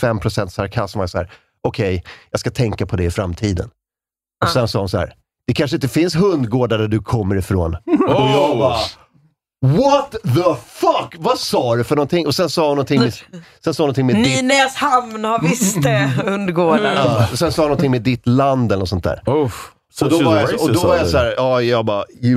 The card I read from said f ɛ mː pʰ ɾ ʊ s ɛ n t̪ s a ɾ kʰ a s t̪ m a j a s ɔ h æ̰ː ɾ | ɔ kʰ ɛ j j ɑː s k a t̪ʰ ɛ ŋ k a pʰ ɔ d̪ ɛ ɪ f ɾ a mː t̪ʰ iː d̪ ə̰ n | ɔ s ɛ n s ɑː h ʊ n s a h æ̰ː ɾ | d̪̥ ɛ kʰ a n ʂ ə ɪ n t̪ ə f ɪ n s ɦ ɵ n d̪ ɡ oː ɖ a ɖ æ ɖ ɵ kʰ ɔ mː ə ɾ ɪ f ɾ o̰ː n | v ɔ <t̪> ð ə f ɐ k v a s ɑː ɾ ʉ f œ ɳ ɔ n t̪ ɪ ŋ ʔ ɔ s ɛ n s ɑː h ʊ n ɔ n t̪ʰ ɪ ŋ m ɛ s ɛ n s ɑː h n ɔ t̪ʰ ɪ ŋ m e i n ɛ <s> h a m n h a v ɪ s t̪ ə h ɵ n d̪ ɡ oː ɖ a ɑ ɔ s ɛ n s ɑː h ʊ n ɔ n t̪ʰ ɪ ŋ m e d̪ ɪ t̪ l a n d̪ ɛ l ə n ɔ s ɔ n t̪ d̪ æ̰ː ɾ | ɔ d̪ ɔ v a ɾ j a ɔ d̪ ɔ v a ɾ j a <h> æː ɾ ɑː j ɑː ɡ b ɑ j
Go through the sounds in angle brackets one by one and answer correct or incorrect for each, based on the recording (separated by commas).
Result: correct, correct, incorrect